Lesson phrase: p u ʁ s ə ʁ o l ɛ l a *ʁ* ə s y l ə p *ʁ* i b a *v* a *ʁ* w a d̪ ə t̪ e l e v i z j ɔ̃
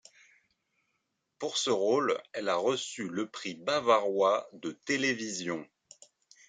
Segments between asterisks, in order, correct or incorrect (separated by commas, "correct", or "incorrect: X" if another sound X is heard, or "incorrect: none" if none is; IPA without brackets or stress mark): correct, incorrect: χ, correct, correct